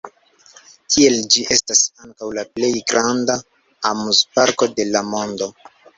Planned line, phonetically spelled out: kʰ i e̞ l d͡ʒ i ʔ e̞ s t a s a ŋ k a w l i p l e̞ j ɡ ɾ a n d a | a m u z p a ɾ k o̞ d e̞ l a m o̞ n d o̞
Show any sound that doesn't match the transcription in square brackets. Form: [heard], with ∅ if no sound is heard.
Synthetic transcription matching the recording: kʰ i e̞ l d͡ʒ i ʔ e̞ s t a s a ŋ k a w l [a] p l e̞ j ɡ ɾ a n d a | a m u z p a ɾ k o̞ d e̞ l a m o̞ n d o̞